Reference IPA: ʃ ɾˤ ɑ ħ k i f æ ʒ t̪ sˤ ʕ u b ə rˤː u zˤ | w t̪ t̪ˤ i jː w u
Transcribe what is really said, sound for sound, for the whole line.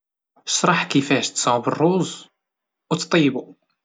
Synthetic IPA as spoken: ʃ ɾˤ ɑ ħ k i f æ ʃ t̪ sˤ ʕ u b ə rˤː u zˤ | w t̪ t̪ˤ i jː b u